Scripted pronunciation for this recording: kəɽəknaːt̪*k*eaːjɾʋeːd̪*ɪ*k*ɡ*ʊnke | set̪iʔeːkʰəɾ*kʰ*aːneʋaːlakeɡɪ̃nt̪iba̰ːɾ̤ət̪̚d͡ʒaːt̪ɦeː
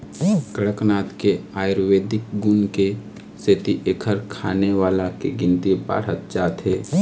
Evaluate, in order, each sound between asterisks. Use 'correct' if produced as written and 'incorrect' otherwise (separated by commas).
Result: correct, correct, correct, correct